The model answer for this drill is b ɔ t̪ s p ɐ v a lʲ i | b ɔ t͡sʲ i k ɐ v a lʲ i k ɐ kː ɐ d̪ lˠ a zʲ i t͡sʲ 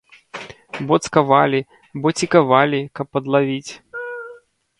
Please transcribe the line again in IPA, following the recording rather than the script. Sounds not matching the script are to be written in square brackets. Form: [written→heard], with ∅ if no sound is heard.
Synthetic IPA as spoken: b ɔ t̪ s [p→k] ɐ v a lʲ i | b ɔ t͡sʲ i k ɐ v a lʲ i k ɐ [kː→pː] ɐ d̪ lˠ a [zʲ→vʲ] i t͡sʲ